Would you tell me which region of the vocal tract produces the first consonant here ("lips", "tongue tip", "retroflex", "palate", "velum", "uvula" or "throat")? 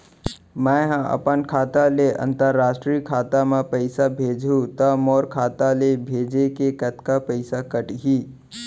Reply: lips